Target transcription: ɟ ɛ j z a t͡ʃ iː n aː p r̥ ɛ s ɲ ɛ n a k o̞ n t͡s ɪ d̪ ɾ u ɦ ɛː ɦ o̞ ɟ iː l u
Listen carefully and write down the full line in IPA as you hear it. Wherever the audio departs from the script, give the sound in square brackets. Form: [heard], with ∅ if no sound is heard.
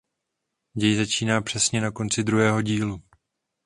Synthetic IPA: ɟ ɛ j z a t͡ʃ iː n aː p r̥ ɛ s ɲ ɛ n a k o̞ n t͡s ɪ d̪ ɾ u ɦ ɛː ɦ o̞ ɟ iː l u